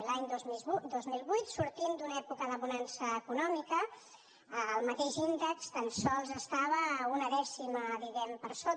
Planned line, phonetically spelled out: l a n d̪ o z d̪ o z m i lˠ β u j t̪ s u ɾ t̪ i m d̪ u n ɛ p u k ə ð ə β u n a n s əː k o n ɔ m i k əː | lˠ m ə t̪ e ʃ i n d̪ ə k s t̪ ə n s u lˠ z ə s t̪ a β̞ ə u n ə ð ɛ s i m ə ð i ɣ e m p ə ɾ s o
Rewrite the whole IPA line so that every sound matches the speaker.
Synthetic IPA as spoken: l a ɲ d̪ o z d̪ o z m i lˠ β u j t̪ s u ɾ t̪ i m d̪ u n ɛ p u k ə ð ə β u n a n s əː k u n ɔ m i k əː | lˠ m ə t̪ e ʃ i n d̪ ə k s t̪ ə n s ɔ lˠ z ə s t̪ a β̞ ə u n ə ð ɛ s i m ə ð i ɣ ɛ m p ə ɾ s o